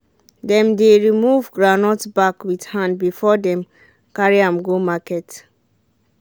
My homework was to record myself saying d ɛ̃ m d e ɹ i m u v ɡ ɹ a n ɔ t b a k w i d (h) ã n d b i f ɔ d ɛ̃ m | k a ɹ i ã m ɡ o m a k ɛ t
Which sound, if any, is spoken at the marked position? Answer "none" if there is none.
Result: h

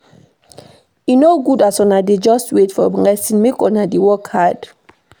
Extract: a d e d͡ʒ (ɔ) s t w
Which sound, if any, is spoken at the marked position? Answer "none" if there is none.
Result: ɔ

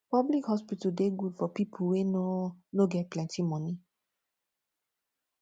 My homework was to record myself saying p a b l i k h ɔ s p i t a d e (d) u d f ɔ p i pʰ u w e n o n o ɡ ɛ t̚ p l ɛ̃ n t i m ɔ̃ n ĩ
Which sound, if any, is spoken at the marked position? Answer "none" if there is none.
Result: ɡ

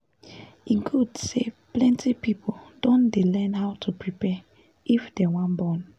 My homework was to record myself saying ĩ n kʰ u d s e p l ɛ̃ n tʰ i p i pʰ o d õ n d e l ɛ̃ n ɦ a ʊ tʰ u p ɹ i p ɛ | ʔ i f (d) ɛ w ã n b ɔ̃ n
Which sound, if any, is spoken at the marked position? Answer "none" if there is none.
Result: d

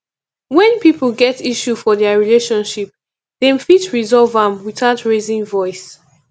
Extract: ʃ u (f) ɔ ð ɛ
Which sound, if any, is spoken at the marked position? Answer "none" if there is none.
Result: f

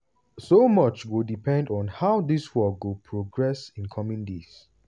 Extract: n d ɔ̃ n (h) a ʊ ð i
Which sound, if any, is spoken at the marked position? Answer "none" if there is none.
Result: h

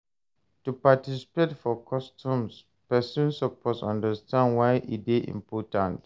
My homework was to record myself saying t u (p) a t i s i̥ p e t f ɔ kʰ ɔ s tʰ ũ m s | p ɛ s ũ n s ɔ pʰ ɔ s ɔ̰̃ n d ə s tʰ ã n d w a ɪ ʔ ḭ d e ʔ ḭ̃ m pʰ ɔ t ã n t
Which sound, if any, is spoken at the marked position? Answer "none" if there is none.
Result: p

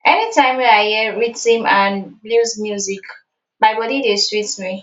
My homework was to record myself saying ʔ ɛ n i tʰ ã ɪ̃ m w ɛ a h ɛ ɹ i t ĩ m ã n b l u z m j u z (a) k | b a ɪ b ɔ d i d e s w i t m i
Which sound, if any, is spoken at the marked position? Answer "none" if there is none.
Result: i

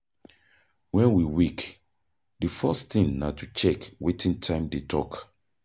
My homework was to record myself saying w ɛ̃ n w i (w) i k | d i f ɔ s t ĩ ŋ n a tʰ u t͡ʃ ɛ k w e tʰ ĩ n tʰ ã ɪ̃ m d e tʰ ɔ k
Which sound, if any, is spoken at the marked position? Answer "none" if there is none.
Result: w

